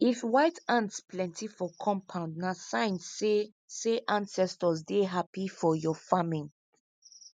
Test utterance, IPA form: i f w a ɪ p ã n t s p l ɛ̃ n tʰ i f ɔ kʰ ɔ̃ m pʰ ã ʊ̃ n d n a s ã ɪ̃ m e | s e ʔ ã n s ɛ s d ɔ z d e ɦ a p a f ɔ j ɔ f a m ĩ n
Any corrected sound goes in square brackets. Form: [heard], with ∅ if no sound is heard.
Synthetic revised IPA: i f w a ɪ [t] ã n t s p l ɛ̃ n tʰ i f ɔ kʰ ɔ̃ m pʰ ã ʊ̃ n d n a s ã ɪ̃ [n] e | s e ʔ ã n s ɛ s [t] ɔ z d e ɦ a p [i] f ɔ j ɔ f a m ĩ n

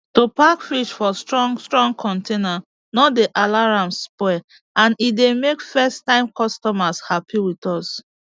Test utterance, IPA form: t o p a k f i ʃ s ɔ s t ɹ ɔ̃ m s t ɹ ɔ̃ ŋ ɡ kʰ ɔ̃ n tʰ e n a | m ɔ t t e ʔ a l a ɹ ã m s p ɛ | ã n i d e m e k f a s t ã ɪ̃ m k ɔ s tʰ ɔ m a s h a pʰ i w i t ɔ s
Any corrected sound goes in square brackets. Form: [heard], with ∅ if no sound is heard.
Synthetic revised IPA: t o p a k f i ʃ [f] ɔ s t ɹ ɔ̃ [ŋ] s t ɹ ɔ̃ ŋ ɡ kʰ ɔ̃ n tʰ e n a | [n] ɔ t [d] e ʔ a l a ɹ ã m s p ɛ | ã n i d e m e k f [ɛ] s t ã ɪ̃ m k ɔ s [t] ɔ m a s h a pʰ i w i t ɔ s

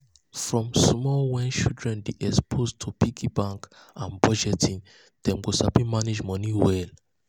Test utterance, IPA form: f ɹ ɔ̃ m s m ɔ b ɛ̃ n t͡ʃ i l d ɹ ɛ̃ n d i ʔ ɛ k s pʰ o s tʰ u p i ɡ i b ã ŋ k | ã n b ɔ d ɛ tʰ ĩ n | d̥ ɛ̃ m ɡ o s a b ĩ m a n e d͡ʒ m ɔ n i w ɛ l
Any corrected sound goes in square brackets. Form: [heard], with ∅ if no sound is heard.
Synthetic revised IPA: f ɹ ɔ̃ m s m ɔ [w] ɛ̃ n t͡ʃ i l d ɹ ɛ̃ n d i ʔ ɛ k s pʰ o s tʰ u p i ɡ i b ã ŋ k | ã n b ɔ [d͡ʒ] ɛ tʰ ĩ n | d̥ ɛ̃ m ɡ o s a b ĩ m a n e d͡ʒ m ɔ n i w ɛ l

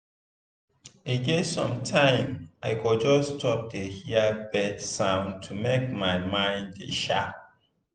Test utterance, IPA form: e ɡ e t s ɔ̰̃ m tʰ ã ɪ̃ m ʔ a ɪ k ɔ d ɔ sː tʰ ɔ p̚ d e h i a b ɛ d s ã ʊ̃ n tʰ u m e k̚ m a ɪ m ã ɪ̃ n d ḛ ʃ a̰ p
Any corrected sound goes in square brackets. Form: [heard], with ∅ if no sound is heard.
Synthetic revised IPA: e ɡ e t s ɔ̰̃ m tʰ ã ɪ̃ m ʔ a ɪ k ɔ [d͡ʒ] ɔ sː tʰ ɔ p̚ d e h i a b ɛ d s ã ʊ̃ n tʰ u m e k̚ m a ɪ m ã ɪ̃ n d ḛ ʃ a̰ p

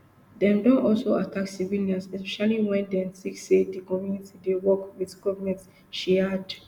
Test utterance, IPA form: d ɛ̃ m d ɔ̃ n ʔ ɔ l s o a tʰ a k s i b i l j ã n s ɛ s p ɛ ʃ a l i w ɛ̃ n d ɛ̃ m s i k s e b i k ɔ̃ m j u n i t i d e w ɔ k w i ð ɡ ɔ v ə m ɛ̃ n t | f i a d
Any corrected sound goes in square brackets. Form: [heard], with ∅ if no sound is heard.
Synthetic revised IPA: d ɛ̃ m d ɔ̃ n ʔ ɔ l s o a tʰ a k s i [v] i l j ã n s ɛ s p ɛ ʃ a l i w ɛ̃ n d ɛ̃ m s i k s e [d] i k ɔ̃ m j u n i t i d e w ɔ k w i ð ɡ ɔ v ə m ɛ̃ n t | [ʃ] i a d

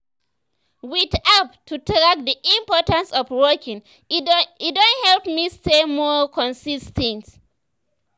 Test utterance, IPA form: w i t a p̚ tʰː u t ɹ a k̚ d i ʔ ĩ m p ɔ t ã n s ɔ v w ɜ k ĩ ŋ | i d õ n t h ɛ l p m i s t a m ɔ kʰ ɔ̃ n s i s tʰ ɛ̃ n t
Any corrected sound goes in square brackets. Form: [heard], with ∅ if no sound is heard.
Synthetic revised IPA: w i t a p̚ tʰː u t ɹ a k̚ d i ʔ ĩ m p ɔ t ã n s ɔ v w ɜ k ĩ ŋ | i d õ n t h ɛ l p m i s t [e] m ɔ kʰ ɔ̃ n s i s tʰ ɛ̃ n t

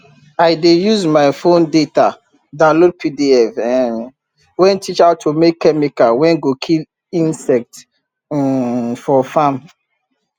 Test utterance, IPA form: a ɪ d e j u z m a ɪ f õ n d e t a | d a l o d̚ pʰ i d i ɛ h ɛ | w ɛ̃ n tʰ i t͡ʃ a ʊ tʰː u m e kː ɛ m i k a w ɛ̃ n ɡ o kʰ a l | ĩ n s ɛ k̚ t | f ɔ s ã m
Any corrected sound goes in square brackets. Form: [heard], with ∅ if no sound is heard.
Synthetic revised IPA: a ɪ d e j u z m a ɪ f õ n d e t a | d a l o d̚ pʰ i d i ɛ [f] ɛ | w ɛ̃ n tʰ i t͡ʃ a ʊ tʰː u m e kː ɛ m i k a w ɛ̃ n ɡ o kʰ [i] l | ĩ n s ɛ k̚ t | f ɔ [f] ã m

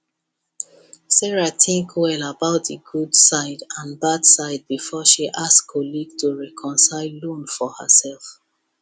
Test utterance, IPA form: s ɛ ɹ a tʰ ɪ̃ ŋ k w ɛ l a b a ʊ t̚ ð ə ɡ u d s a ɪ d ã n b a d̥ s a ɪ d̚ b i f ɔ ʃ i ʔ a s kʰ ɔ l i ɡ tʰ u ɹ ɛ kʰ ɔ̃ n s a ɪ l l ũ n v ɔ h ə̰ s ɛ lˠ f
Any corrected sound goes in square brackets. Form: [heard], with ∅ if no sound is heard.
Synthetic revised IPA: s ɛ ɹ a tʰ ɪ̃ ŋ k w ɛ l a b a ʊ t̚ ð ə ɡ u d s a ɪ d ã n b a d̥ s a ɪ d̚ b i f ɔ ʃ i ʔ a s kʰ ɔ l i ɡ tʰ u ɹ ɛ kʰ ɔ̃ n s a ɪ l l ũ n [f] ɔ h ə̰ s ɛ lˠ f

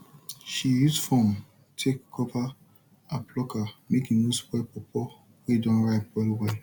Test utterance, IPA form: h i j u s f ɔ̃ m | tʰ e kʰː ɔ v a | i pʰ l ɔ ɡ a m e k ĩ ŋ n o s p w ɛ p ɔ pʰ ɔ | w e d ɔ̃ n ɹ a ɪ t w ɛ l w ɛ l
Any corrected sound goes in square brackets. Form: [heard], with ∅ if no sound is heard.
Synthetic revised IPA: [ʃ] i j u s f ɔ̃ m | tʰ e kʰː ɔ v a | [a] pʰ l ɔ [k] a m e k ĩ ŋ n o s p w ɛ p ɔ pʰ ɔ | w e d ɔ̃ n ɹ a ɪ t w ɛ l w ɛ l

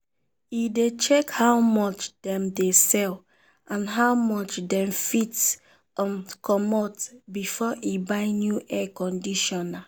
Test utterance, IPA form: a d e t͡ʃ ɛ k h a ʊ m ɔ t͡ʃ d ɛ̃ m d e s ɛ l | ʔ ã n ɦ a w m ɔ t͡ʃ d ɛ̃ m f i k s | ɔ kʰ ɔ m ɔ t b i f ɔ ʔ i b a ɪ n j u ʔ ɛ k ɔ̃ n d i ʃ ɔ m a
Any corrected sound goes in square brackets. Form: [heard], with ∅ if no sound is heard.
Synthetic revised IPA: [i] d e t͡ʃ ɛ k h a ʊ m ɔ t͡ʃ d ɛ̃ m d e s ɛ l | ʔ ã n ɦ a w m ɔ t͡ʃ d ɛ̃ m f i [t] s | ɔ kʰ ɔ m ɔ t b i f ɔ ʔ i b a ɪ n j u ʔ ɛ k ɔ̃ n d i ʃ ɔ [n] a

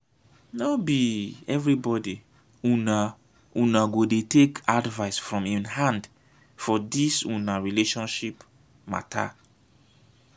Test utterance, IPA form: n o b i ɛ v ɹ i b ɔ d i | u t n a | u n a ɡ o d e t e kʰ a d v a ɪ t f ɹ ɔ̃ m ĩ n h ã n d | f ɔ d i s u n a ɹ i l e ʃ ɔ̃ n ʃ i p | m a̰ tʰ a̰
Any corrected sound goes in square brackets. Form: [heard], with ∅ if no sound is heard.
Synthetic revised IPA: n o b i ɛ v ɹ i b ɔ d i | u [∅] n a | u n a ɡ o d e t e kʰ a d v a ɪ [s] f ɹ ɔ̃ m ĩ n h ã n d | f ɔ d i s u n a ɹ i l e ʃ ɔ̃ n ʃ i p | m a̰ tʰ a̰

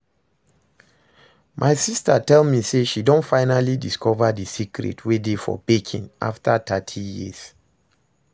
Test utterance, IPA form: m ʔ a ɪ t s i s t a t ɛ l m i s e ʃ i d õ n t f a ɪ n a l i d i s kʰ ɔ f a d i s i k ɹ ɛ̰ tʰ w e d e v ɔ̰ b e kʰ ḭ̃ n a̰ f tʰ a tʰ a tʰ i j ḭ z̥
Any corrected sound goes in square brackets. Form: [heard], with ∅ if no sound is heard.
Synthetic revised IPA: m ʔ a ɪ [∅] s i s t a t ɛ l m i s e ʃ i d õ n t f a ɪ n a l i d i s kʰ ɔ [v] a d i s i k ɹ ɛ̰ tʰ w e d e [f] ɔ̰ b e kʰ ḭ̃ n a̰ f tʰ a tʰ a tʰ i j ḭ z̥

